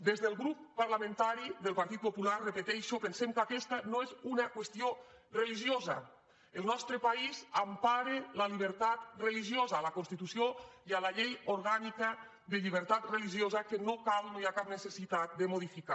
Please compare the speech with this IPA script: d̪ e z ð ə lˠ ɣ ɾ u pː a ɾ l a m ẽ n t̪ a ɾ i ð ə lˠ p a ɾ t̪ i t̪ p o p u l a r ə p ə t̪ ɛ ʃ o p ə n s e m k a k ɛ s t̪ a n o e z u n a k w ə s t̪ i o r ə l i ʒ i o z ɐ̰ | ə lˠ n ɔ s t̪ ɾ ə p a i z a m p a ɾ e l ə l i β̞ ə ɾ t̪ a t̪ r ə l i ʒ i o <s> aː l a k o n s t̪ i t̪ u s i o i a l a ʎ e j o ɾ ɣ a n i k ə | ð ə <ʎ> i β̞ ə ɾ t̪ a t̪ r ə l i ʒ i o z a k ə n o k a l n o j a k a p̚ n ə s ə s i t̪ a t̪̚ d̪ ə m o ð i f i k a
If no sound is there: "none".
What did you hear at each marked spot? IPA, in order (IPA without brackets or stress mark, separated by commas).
z, ʎ